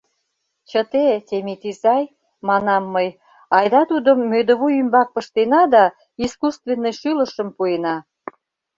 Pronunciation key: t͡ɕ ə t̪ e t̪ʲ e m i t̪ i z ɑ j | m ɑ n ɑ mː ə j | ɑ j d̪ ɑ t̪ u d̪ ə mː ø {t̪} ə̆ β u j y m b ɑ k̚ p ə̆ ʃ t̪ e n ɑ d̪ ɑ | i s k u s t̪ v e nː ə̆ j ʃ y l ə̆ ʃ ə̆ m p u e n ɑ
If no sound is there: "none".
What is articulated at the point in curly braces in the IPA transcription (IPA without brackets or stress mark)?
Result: d̪